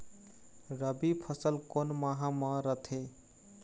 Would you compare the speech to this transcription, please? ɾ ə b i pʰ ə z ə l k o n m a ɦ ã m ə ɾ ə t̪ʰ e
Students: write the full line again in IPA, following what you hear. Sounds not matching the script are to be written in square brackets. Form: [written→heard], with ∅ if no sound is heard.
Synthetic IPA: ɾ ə b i pʰ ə [z→s] ə l k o n m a ɦ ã m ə ɾ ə t̪ʰ e